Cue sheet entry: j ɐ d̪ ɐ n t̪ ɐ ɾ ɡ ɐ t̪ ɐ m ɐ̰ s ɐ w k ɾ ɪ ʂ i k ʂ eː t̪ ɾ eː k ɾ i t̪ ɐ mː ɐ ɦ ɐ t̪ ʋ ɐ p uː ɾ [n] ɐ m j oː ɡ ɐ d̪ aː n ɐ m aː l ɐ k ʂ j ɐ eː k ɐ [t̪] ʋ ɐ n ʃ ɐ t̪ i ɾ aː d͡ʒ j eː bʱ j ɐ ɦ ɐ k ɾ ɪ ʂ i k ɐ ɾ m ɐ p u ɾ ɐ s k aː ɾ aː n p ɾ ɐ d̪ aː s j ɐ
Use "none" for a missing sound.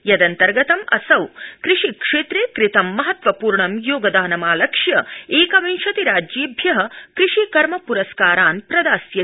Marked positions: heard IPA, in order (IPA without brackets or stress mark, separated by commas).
ɳ, none